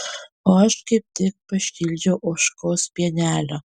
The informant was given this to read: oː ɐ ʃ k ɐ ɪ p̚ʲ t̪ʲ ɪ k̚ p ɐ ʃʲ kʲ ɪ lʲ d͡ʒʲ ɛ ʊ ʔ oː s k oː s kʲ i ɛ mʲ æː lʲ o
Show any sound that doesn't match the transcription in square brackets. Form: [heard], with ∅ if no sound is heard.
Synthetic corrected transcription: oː ɐ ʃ k ɐ ɪ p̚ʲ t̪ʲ ɪ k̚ p ɐ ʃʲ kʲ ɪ lʲ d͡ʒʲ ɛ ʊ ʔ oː [ʃ] k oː s [pʲ] i ɛ [nʲ] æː lʲ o